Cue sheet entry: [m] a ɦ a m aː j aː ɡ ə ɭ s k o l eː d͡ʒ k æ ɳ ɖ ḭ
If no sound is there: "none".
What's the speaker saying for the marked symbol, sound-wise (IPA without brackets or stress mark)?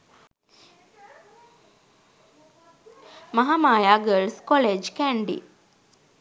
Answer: m